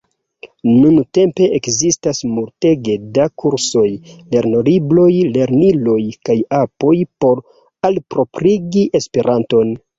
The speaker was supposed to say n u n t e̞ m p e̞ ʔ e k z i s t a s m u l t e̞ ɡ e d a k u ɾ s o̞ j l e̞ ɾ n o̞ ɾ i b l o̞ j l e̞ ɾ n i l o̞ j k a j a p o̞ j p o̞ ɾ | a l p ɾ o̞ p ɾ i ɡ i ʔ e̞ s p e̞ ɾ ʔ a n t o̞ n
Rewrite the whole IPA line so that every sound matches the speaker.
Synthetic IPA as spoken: n u n t e̞ m p e̞ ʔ e k z i s t a s m u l t e̞ ɡ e d a k u ɾ s o̞ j l e̞ ɾ n o̞ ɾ i b l o̞ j l e̞ ɾ n i l o̞ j k a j a p o̞ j p o̞ ɾ | a l p ɾ o̞ p ɾ i ɡ i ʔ e̞ s p e̞ ɾ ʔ a n t o̞ n